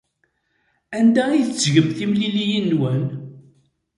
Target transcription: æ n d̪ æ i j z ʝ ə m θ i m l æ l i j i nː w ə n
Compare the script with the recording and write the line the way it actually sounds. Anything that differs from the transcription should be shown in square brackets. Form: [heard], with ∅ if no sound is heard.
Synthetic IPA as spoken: æ n d̪ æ i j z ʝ ə m θ i m l [i] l i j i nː w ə n